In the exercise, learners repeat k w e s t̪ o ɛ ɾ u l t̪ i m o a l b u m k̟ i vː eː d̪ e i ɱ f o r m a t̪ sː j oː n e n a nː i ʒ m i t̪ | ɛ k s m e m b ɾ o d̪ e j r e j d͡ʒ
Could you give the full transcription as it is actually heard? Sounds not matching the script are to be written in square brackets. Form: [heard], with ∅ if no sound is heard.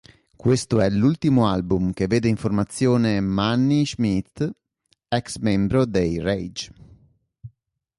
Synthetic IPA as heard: k w e s t̪ o ɛ [l] u l t̪ i m o a l b u m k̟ [e] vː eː d̪ e i ɱ f o r m a t̪ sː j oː n e [m] a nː i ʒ m i t̪ | ɛ k s m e m b ɾ o d̪ e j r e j d͡ʒ

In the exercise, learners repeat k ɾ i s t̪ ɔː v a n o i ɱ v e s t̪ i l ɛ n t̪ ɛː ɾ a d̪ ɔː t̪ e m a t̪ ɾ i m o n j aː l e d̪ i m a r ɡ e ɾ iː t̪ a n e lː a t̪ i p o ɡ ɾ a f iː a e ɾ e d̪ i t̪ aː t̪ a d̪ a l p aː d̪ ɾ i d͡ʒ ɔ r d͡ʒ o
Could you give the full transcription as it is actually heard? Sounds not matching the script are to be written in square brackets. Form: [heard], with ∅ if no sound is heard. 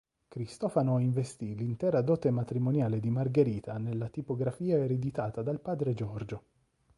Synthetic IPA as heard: k ɾ i s t̪ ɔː [f] a n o i ɱ v e s t̪ i l [i] n t̪ ɛː ɾ a d̪ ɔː t̪ e m a t̪ ɾ i m o n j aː l e d̪ i m a r ɡ e ɾ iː t̪ a n e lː a t̪ i p o ɡ ɾ a f iː a e ɾ e d̪ i t̪ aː t̪ a d̪ a l p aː d̪ ɾ [e] d͡ʒ ɔ r d͡ʒ o

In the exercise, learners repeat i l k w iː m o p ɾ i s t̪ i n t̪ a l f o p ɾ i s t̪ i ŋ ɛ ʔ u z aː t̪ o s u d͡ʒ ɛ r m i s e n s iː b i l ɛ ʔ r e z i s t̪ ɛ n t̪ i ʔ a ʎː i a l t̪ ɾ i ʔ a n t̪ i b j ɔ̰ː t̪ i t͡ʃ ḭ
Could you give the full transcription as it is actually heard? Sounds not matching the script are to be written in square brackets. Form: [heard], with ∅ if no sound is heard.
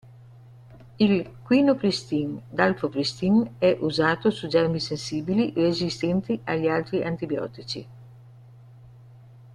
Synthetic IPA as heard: i l k w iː [n] o p ɾ i s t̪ i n [d̪] a l f o p ɾ i s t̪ i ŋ ɛ ʔ u z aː t̪ o s u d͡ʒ ɛ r m i s e n s iː b i l [i] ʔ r e z i s t̪ ɛ n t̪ i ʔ a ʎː i a l t̪ ɾ i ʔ a n t̪ i b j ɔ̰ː t̪ i t͡ʃ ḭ

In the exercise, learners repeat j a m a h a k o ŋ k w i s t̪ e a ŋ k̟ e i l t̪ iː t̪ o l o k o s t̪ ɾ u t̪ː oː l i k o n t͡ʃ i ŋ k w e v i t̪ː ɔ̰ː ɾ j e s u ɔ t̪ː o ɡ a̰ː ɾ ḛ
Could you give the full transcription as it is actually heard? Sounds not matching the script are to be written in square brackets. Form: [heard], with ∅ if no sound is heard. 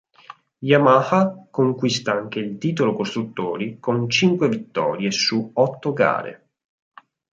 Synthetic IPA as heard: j a m a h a k o ŋ k w i s t̪ [a] a ŋ k̟ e i l t̪ iː t̪ o l o k o s t̪ ɾ u t̪ː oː [ɾ] i k o n t͡ʃ i ŋ k w e v i t̪ː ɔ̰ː ɾ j e s u ɔ t̪ː o ɡ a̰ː ɾ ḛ

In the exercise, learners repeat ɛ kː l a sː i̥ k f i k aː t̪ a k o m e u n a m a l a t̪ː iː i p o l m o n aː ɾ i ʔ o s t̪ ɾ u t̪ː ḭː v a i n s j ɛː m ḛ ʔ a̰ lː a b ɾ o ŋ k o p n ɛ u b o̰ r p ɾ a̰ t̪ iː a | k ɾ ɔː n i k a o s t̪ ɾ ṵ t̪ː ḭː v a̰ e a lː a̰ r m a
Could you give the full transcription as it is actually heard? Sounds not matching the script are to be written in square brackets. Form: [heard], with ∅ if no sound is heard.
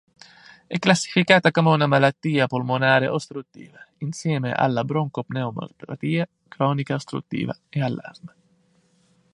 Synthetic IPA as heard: ɛ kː l a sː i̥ [∅] f i k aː t̪ a k o m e u n a m a l a t̪ː iː [a] p o l m o n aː ɾ [e] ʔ o s t̪ ɾ u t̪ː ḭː v a i n s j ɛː m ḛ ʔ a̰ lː a b ɾ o ŋ k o p n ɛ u [m] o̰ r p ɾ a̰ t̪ iː a | k ɾ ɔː n i k a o s t̪ ɾ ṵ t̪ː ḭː v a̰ e a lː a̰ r m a

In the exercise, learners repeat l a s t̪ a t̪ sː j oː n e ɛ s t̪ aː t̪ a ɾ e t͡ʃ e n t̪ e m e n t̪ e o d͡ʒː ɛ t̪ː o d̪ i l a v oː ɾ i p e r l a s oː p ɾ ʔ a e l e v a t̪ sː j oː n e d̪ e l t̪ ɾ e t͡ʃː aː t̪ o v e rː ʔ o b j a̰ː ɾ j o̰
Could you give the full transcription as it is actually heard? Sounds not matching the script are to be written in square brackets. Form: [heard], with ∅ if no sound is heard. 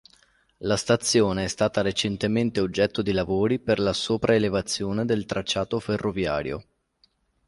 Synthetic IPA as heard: l a s t̪ a t̪ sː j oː n e ɛ s t̪ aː t̪ a ɾ e t͡ʃ e n t̪ e m e n t̪ e o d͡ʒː ɛ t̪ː o d̪ i l a v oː ɾ i p e r l a s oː p ɾ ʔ a e l e v a t̪ sː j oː n e d̪ e l t̪ ɾ [a] t͡ʃː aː t̪ o [f] e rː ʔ o [v] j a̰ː ɾ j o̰

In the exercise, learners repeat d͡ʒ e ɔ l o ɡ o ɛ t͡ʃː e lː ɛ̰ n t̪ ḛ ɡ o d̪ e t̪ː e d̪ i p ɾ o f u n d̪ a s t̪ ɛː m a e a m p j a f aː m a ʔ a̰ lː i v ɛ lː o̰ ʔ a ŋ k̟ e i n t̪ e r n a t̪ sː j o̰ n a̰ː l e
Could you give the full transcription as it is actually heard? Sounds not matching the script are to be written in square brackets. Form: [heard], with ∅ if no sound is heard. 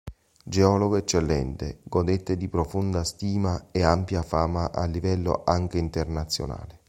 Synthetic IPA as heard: d͡ʒ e ɔ l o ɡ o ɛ t͡ʃː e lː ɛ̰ n t̪ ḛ ɡ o d̪ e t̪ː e d̪ i p ɾ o f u n d̪ a s t̪ [iː] m a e a m p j a f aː m a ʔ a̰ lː i v ɛ lː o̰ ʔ a ŋ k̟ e i n t̪ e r n a t̪ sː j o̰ n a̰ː l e

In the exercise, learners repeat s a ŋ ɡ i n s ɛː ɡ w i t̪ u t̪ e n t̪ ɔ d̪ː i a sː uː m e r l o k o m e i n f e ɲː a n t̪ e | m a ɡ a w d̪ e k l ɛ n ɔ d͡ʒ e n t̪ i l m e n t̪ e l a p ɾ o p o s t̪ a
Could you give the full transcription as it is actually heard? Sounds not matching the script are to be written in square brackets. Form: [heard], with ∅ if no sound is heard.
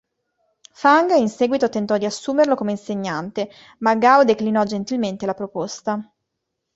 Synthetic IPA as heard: [f] a ŋ ɡ i n s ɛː ɡ w i t̪ [o] t̪ e n t̪ ɔ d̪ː i a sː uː m e r l o k o m e i n [s] e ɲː a n t̪ e | m a ɡ a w d̪ e k l [i] n ɔ d͡ʒ e n t̪ i l m e n t̪ e l a p ɾ o p o s t̪ a

